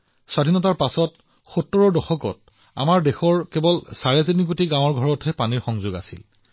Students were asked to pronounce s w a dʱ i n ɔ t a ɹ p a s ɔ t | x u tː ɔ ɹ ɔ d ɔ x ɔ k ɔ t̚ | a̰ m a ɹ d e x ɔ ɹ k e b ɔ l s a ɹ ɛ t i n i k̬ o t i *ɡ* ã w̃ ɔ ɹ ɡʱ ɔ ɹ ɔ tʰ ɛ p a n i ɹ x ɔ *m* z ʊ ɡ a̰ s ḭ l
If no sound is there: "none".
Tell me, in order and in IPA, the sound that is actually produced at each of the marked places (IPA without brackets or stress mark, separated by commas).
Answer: ɡ, ŋ